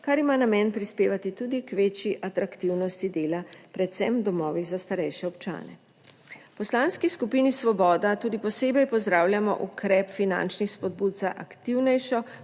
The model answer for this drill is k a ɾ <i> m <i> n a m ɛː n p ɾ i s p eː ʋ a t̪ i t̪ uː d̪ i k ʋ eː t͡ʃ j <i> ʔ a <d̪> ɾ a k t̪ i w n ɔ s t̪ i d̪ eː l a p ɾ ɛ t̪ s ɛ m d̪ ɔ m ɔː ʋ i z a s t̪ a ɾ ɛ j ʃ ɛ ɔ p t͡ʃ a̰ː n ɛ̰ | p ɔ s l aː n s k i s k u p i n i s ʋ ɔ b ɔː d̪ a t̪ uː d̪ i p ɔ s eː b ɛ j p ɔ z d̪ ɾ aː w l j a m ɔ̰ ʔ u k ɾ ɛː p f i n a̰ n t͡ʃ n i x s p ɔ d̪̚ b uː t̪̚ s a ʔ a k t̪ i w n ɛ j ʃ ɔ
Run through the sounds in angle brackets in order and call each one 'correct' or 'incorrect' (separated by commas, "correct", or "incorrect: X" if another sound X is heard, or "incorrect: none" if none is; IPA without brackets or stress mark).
correct, incorrect: a, correct, incorrect: t̪